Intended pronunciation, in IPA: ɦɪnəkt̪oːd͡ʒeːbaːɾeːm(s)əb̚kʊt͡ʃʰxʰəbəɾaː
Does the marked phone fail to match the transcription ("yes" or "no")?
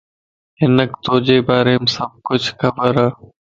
no